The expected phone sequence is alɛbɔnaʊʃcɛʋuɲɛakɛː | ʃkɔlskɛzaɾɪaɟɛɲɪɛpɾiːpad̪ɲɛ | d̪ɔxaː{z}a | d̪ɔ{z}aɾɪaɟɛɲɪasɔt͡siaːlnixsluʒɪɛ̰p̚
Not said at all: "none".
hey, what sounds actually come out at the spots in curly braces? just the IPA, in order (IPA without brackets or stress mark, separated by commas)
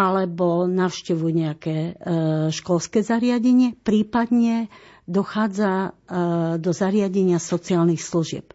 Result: d͡z, z